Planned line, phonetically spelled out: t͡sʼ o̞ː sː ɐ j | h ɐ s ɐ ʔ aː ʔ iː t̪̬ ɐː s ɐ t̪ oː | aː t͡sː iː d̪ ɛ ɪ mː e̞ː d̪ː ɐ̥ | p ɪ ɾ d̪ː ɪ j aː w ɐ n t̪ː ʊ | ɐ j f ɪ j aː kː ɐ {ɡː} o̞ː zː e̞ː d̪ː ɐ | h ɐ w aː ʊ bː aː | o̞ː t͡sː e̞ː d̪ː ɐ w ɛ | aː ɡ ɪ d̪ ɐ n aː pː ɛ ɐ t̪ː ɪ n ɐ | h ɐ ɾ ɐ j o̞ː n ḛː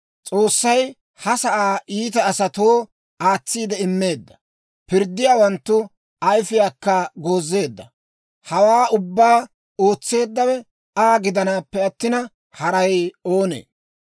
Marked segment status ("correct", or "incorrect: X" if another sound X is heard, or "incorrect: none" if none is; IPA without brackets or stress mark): incorrect: ɡ